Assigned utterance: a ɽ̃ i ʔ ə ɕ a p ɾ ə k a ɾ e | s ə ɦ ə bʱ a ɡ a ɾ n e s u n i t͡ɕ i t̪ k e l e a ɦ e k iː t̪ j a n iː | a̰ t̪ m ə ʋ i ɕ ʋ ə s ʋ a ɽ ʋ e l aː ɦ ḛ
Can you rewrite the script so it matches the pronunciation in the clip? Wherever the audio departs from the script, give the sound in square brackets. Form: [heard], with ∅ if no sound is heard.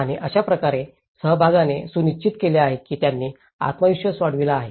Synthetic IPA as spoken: a ɽ̃ i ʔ ə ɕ a p ɾ ə k a ɾ e | s ə ɦ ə bʱ a ɡ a [∅] n e s u n i t͡ɕ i t̪ k e l e a ɦ e k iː t̪ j a [nː] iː | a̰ t̪ m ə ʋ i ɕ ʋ ə s ʋ a ɽ ʋ [i] l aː ɦ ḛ